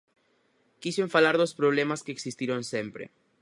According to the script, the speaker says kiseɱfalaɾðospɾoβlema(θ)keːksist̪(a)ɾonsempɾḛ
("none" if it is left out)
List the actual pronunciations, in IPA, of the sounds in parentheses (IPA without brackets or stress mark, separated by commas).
s, i